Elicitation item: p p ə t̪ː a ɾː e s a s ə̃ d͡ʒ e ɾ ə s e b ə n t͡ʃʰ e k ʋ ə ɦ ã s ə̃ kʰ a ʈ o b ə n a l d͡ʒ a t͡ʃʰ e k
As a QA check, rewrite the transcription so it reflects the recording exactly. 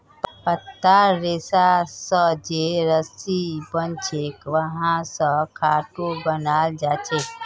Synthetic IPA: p p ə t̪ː a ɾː e s a s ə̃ d͡ʒ e ɾ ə s i b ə n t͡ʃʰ e k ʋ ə ɦ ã s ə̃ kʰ a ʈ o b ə n a l d͡ʒ a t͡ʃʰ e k